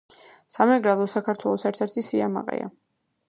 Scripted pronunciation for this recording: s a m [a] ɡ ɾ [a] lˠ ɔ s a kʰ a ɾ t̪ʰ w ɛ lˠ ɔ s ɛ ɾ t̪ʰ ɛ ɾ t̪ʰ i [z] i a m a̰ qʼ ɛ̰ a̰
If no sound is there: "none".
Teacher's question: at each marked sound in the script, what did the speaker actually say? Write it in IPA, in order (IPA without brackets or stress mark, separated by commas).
ɛ, a, s